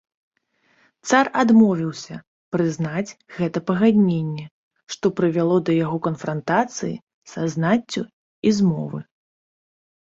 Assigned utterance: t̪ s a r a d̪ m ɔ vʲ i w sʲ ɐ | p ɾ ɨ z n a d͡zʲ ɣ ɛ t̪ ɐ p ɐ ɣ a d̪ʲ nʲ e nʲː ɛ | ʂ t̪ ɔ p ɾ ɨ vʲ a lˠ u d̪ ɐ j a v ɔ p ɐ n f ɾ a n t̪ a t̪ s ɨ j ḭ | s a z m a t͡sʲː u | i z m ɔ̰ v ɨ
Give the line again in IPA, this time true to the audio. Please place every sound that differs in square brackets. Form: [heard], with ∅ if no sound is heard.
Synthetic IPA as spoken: t̪ s a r a d̪ m ɔ vʲ i w sʲ ɐ | p ɾ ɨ z n a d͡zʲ ɣ ɛ t̪ ɐ p ɐ ɣ a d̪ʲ nʲ e nʲː ɛ | ʂ t̪ ɔ p ɾ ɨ vʲ a lˠ [ɔ] d̪ ɐ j a [ɣ] ɔ [k] ɐ n f ɾ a n t̪ a t̪ s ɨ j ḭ | s a z [n] a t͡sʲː u | i z m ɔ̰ v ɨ